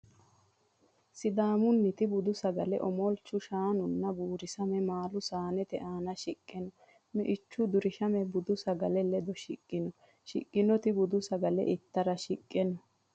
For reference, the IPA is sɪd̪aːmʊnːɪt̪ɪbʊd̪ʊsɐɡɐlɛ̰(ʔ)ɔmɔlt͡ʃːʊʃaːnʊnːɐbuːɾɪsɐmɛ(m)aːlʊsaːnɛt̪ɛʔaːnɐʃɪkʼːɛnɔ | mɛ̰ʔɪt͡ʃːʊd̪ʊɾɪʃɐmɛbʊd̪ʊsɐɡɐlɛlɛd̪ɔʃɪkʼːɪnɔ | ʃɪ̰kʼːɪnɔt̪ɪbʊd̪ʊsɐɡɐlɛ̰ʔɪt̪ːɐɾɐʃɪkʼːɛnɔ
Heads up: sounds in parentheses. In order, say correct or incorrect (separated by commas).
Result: correct, correct